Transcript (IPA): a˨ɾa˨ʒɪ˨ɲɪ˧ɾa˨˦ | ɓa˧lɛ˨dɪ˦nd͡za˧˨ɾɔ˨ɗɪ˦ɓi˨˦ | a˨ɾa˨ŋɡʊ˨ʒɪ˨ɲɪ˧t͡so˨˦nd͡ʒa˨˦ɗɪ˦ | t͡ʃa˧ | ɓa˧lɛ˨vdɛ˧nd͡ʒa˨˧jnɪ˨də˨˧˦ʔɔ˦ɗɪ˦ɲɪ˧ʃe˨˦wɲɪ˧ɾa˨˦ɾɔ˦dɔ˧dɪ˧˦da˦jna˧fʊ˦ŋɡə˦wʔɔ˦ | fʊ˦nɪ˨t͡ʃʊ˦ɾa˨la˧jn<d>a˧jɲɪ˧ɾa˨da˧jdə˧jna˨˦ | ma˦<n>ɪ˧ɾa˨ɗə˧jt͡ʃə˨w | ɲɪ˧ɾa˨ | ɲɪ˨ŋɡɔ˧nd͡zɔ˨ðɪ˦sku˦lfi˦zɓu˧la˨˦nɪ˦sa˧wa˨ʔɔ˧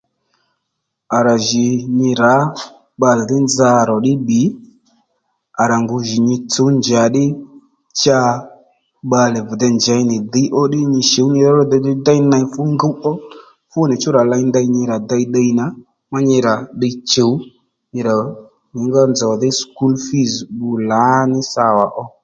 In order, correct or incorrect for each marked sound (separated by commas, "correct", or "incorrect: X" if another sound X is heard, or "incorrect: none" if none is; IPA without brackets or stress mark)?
correct, incorrect: ɲ